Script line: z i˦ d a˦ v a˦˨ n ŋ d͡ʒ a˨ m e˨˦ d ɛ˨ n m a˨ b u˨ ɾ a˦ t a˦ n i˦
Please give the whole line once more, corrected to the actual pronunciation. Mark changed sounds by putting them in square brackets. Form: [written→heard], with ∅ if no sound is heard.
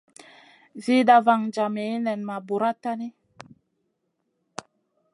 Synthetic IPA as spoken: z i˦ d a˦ v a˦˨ [n→∅] ŋ d͡ʒ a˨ m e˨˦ [d→n] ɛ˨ n m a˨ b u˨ ɾ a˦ t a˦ n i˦